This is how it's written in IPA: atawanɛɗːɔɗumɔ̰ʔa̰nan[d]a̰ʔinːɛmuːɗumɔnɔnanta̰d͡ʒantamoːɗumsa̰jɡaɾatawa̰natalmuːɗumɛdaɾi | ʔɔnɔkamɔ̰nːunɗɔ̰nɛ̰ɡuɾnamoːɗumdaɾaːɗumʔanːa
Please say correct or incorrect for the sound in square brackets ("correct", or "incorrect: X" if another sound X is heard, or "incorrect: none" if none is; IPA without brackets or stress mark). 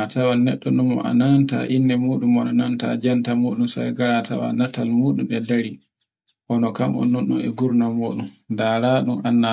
incorrect: t